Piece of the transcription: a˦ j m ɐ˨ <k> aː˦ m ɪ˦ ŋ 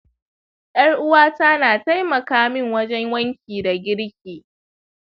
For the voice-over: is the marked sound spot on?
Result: yes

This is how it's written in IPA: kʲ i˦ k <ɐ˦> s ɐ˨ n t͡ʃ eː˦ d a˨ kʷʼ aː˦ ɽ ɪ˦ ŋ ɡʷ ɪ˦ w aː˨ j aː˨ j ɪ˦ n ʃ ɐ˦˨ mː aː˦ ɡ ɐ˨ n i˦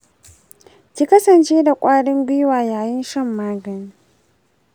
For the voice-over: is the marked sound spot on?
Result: yes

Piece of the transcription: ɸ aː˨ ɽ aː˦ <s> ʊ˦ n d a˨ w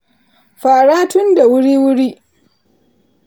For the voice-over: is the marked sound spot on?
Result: no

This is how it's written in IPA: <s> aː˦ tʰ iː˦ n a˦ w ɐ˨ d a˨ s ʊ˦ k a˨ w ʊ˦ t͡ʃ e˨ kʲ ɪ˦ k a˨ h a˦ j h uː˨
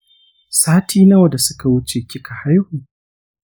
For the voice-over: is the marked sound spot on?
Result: yes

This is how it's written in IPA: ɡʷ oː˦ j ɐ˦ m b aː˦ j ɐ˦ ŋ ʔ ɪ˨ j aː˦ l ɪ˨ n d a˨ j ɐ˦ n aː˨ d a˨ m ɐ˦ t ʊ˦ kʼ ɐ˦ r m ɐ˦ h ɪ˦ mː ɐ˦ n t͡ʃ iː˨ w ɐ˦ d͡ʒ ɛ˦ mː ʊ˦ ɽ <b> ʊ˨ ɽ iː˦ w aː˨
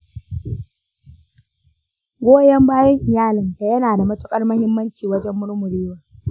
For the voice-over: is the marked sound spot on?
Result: no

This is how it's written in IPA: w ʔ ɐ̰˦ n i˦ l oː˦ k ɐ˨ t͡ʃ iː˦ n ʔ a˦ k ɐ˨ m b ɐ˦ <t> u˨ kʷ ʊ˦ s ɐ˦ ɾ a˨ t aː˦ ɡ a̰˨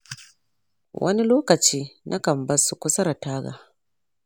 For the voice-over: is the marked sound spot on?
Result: no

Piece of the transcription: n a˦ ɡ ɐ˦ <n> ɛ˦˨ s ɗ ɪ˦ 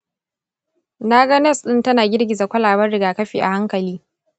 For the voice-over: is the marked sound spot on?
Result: yes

